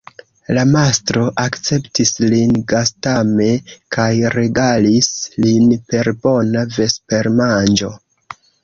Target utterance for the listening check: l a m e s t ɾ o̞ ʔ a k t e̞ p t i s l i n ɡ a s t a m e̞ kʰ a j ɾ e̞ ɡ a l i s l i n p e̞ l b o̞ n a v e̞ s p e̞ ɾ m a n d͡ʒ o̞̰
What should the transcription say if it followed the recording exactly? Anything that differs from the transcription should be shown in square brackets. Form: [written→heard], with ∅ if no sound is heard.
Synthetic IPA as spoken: l a m [e→a] s t ɾ o̞ ʔ a k [t→t͡s] e̞ p t i s l i n ɡ a s t a m e̞ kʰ a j ɾ e̞ ɡ a l i s l i n p e̞ [l→ɾ] b o̞ n a v e̞ s p e̞ ɾ m a n d͡ʒ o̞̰